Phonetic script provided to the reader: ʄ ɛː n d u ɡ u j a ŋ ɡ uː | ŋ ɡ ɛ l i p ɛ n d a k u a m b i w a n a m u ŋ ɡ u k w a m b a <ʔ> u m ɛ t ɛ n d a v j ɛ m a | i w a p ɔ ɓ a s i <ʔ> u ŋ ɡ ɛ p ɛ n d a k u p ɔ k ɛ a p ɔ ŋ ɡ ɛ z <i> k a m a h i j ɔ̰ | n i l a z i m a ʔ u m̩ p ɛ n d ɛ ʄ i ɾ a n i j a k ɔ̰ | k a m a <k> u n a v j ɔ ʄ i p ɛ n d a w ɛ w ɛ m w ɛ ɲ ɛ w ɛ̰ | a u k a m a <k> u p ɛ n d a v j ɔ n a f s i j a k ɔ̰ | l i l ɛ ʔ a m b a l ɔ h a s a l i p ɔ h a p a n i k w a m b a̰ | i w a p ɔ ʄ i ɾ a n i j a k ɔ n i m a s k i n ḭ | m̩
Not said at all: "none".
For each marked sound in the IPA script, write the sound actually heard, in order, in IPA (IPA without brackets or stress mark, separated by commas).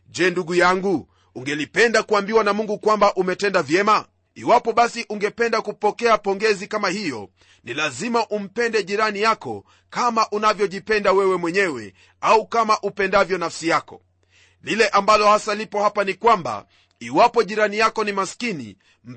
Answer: ʔ, ʔ, i, ʔ, ʔ